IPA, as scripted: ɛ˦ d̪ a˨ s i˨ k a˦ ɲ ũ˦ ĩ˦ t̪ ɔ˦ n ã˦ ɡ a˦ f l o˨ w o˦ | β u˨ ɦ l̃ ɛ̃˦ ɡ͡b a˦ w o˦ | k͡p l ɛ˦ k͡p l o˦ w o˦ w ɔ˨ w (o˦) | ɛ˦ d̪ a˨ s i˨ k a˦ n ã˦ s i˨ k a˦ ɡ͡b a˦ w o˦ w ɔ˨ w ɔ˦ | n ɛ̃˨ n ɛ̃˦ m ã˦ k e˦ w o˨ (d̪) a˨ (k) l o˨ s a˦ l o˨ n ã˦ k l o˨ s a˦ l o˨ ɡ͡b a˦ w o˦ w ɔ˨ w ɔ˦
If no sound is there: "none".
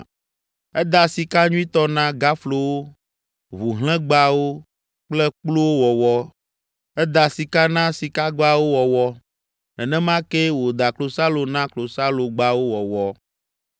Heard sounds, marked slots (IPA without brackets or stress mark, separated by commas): ɔ˦, d̪, k